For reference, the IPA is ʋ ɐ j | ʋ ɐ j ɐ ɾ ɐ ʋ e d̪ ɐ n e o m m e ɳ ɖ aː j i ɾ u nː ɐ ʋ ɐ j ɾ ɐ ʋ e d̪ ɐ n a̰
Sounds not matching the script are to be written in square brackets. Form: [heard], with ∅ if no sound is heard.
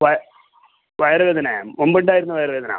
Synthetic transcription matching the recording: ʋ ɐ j | ʋ ɐ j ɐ ɾ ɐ ʋ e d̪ ɐ n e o m [b] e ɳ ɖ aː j i ɾ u nː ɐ ʋ ɐ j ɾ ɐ ʋ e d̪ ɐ n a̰